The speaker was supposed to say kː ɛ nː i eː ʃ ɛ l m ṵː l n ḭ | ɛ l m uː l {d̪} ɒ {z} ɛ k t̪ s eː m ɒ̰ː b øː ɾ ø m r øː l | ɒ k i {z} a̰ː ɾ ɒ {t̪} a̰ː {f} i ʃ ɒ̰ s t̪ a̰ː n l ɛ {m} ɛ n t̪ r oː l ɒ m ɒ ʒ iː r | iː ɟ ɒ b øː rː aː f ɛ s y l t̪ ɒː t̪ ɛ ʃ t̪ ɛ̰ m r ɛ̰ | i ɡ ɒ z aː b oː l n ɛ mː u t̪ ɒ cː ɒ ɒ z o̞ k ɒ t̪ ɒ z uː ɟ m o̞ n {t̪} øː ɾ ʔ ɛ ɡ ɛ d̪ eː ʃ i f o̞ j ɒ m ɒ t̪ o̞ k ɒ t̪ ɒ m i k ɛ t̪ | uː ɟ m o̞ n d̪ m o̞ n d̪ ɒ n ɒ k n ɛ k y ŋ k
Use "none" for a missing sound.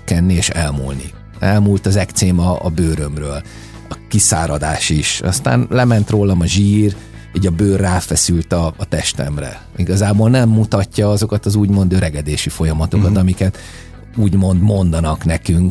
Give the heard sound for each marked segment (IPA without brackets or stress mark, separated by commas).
t̪, z, s, d̪, ʃ, m, d̪